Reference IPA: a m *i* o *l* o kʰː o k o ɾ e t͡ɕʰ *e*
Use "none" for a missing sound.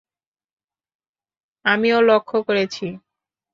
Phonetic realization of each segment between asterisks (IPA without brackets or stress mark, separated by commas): i, l, i